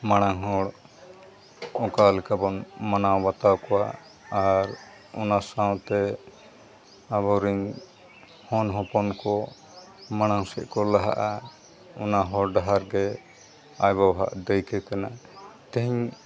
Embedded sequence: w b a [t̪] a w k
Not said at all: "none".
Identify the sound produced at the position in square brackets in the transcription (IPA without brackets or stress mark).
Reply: t̪